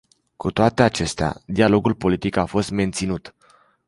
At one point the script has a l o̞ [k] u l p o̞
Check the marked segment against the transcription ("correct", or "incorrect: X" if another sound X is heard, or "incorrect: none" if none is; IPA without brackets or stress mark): incorrect: ɡ